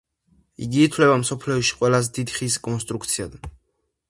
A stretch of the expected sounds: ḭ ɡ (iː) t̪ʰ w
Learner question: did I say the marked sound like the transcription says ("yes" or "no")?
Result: yes